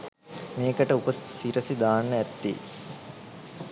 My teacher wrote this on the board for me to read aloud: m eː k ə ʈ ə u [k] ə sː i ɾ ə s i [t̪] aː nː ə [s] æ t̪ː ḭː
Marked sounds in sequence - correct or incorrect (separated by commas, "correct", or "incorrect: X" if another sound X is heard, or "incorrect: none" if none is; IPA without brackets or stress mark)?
incorrect: p, incorrect: d̪, incorrect: none